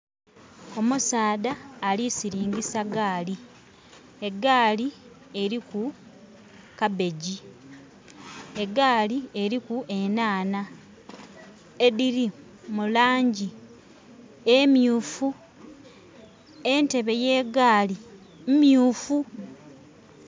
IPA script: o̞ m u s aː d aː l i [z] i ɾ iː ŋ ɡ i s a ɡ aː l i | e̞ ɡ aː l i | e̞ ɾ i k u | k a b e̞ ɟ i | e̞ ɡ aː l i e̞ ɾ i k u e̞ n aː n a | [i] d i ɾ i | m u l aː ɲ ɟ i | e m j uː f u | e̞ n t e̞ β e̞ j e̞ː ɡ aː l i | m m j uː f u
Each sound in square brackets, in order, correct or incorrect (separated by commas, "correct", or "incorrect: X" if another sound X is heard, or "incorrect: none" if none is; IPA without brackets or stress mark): incorrect: s, incorrect: e